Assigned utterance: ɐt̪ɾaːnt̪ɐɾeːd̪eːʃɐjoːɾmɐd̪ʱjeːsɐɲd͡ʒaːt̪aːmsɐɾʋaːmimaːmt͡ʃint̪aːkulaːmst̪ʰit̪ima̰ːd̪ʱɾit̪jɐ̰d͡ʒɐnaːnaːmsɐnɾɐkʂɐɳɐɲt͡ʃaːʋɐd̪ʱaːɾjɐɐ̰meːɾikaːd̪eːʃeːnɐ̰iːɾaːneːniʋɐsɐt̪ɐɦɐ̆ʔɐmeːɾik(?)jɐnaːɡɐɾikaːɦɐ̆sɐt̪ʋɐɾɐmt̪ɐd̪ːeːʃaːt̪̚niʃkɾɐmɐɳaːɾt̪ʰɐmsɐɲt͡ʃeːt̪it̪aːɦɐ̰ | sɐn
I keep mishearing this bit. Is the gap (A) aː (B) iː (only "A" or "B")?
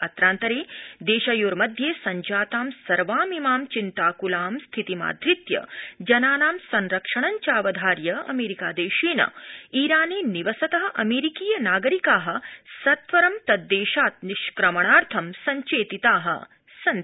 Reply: B